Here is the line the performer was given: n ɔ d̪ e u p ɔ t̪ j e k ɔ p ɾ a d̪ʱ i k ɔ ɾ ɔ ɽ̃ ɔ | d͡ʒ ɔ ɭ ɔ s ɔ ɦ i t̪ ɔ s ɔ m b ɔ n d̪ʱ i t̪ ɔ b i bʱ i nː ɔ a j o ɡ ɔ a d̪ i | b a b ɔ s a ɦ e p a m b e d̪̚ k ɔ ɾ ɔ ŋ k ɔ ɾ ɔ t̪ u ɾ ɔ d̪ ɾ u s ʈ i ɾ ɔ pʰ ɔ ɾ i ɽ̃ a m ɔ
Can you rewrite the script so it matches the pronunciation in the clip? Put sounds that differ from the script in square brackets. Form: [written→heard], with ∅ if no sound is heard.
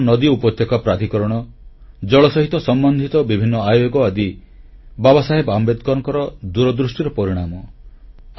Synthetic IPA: n ɔ d̪ [e→i] u p ɔ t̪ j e k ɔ p ɾ a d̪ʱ i k ɔ ɾ ɔ ɽ̃ ɔ | d͡ʒ ɔ ɭ ɔ s ɔ ɦ i t̪ ɔ s ɔ m b ɔ n d̪ʱ i t̪ ɔ b i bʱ i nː ɔ a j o ɡ ɔ a d̪ i | b a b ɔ s a ɦ e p a m b e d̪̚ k ɔ ɾ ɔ ŋ k ɔ ɾ ɔ [t̪→d̪] u ɾ ɔ d̪ ɾ u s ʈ i ɾ ɔ [pʰ→p] ɔ ɾ i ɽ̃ a m ɔ